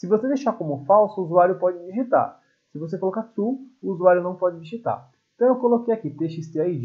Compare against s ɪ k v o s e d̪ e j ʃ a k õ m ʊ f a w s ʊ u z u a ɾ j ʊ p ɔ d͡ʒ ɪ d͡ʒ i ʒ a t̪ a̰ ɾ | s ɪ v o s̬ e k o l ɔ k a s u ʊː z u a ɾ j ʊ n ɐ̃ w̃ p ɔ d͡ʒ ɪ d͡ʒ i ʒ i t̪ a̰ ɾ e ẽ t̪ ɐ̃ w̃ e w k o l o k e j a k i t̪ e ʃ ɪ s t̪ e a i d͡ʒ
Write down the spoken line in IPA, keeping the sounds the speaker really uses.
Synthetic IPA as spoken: s ɪ v o s e d̪ e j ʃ a k õ m ʊ f a w s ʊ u z u a ɾ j ʊ p ɔ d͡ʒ ɪ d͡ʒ i ʒ i t̪ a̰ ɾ | s ɪ v o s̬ e k o l ɔ k a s u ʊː z u a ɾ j ʊ n ɐ̃ w̃ p ɔ d͡ʒ ɪ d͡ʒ i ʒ i t̪ a̰ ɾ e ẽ t̪ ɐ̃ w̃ e w k o l o k e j a k i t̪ e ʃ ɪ s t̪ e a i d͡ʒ